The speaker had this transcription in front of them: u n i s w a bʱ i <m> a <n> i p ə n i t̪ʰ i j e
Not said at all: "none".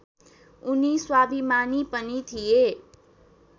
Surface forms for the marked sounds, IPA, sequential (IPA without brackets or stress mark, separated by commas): m, n